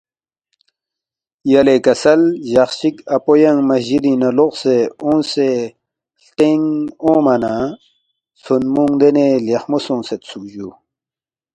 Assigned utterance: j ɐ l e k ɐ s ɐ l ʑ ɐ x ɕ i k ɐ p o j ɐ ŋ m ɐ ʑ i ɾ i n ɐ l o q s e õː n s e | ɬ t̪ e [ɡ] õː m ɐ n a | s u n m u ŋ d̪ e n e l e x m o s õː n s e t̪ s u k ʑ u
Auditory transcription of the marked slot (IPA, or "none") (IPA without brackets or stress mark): ŋ